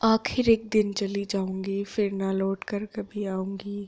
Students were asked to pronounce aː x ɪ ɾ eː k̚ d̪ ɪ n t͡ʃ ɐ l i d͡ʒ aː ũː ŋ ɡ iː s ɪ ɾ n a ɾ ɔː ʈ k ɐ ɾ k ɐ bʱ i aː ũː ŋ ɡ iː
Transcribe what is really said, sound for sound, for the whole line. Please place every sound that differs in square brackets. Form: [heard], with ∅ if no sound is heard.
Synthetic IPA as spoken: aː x ɪ ɾ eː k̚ d̪ ɪ n t͡ʃ ɐ l i d͡ʒ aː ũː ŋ ɡ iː [f] ɪ ɾ n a [l] ɔː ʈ k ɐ ɾ k ɐ bʱ i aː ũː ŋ ɡ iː